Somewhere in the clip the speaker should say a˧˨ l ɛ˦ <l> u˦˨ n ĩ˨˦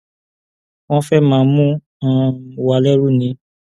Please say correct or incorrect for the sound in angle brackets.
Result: incorrect